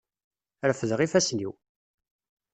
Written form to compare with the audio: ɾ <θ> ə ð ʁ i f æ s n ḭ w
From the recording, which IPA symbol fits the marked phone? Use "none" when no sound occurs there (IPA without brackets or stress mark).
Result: f